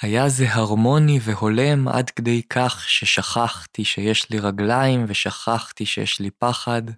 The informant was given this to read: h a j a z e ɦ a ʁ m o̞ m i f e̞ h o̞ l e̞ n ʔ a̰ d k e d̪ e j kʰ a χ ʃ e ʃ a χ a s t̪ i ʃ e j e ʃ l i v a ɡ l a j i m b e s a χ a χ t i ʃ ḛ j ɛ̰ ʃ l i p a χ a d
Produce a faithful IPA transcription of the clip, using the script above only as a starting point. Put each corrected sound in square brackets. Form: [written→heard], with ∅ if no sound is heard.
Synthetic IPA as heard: h a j a z e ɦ a ʁ m o̞ [m→n] i [f→v] e̞ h o̞ l e̞ [n→m] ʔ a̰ d k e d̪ e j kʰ a χ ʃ e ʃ a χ a [s→χ] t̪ i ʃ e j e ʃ l i [v→ʁ] a ɡ l a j i m [b→v] e [s→ʃ] a χ a χ t i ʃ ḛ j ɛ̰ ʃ l i p a χ a d